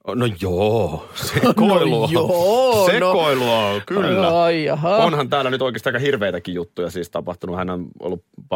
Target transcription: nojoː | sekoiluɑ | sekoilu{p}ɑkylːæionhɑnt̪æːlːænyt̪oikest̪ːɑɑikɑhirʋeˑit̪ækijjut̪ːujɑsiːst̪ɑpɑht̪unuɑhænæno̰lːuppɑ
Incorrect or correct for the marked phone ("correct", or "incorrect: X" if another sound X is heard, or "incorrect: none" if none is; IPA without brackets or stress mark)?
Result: incorrect: none